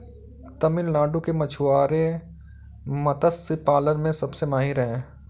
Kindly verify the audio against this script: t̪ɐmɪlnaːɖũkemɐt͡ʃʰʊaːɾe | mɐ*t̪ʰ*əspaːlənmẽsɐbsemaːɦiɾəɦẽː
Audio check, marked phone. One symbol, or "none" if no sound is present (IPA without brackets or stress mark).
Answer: t̪